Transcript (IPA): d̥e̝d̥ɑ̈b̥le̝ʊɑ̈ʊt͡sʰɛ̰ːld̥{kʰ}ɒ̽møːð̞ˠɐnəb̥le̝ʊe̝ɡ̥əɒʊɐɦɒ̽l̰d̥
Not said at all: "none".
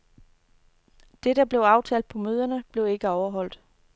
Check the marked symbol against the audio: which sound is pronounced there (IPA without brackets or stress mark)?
pʰ